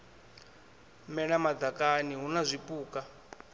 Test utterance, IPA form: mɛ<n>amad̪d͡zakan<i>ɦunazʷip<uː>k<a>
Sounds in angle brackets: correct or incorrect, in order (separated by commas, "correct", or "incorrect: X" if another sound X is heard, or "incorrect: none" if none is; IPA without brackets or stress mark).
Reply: correct, correct, correct, correct